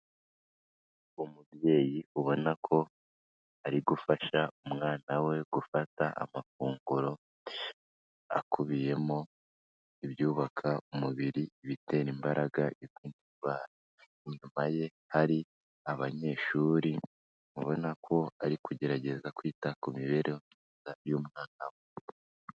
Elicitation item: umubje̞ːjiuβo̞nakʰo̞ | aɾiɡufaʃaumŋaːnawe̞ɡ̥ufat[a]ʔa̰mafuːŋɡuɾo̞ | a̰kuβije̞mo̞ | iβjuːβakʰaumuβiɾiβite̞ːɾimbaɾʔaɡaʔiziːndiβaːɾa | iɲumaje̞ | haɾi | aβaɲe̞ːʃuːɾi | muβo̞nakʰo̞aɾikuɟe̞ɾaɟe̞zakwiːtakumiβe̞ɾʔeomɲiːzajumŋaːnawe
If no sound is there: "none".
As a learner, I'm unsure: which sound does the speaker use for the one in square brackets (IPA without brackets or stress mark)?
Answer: a